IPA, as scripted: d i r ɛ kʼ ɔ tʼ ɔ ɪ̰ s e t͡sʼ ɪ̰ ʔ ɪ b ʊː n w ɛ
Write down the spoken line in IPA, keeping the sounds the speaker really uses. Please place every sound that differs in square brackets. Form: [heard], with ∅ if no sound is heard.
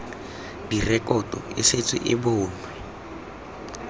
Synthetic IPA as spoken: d i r ɛ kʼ ɔ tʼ ɔ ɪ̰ s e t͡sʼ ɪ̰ ʔ ɪ b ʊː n w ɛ